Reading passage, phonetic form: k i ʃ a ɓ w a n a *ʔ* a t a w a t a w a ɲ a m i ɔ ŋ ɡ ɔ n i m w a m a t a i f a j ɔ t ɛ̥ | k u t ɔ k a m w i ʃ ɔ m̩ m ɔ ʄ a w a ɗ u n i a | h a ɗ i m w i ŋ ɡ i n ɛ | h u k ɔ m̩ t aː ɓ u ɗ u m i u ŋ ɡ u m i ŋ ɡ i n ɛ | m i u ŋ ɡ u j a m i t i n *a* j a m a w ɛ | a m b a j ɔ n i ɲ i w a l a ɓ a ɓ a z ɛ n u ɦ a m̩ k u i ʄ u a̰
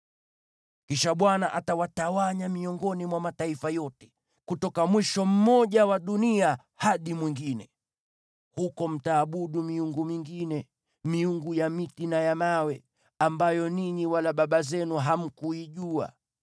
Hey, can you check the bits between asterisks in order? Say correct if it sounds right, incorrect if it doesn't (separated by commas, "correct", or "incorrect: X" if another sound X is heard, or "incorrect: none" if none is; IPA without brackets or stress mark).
correct, correct